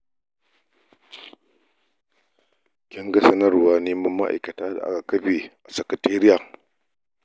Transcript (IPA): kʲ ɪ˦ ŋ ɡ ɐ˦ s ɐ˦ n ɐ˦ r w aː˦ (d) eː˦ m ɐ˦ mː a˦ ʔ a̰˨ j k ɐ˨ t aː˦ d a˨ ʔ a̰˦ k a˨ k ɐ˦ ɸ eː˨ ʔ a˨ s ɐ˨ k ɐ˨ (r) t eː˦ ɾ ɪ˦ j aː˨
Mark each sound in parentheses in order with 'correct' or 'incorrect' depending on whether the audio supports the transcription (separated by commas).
incorrect, incorrect